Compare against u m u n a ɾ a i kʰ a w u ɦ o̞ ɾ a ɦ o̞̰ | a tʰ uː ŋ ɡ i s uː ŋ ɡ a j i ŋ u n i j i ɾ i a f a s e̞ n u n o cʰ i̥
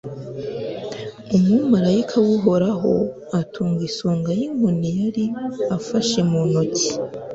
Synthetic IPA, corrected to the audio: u m u m a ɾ a i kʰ a w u ɦ o̞ ɾ a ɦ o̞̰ | a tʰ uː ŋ ɡ i s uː ŋ ɡ a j i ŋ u n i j a ɾ i a f a ʃ e̞ m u n o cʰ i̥